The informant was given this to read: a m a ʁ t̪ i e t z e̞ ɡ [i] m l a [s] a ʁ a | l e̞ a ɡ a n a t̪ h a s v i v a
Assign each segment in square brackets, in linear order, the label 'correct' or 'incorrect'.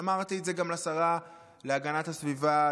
incorrect, correct

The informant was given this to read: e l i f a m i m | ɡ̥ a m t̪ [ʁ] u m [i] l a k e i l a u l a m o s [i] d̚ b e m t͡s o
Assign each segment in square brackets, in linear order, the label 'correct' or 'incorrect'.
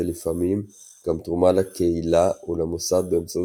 correct, incorrect, incorrect

